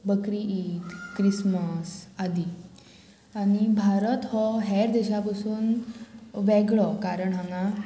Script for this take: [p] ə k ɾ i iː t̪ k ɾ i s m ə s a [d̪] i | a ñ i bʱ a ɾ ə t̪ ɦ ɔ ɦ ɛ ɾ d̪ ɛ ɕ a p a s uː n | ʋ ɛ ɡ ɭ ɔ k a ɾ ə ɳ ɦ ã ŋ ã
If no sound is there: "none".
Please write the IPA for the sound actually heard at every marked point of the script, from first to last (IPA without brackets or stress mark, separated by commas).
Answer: b, d̪